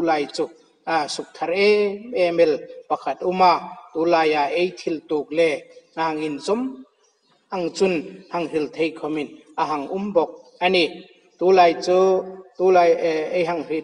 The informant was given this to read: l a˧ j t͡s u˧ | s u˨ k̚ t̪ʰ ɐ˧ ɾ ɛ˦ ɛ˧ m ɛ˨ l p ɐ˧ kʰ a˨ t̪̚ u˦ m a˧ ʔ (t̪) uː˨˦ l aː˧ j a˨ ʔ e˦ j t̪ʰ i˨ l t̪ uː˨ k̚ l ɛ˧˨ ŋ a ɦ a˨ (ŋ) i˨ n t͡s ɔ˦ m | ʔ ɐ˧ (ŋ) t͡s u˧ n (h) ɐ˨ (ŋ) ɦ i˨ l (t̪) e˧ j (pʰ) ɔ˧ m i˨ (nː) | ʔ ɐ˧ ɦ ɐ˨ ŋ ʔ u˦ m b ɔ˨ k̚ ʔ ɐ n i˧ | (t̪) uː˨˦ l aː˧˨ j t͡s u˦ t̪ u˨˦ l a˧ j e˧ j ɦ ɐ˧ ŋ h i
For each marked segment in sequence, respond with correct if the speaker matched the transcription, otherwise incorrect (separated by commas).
correct, correct, correct, correct, correct, incorrect, incorrect, incorrect, correct